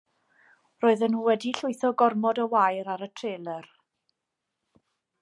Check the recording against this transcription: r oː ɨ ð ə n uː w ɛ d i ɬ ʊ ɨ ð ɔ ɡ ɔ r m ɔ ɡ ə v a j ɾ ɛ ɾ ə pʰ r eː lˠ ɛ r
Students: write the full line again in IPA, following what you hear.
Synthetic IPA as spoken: r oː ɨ ð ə n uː w ɛ d i ɬ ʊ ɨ θ ɔ ɡ ɔ r m ɔ d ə w a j ɾ a ɾ ə tʰ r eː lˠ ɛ r